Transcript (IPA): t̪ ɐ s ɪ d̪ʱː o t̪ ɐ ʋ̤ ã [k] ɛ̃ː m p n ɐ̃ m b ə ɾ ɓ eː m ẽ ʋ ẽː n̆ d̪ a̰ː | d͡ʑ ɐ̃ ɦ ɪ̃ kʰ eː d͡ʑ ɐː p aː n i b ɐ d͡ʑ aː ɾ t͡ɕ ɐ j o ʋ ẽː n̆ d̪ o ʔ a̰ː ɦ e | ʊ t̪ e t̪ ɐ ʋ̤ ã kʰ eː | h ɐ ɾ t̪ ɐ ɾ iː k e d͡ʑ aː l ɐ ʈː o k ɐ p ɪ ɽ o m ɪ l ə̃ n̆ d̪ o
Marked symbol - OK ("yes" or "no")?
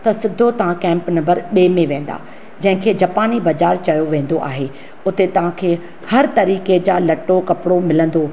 yes